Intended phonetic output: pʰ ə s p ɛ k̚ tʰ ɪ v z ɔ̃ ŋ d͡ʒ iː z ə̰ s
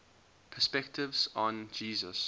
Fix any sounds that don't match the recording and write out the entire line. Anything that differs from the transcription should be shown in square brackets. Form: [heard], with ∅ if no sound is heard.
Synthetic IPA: pʰ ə s p ɛ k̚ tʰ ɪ v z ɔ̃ [n] d͡ʒ iː z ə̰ s